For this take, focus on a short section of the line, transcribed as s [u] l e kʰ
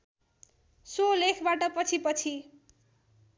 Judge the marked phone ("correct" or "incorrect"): incorrect